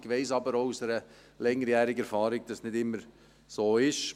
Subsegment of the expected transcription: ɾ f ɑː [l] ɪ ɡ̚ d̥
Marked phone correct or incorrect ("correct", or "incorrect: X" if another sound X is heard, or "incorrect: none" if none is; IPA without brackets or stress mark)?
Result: incorrect: ɾ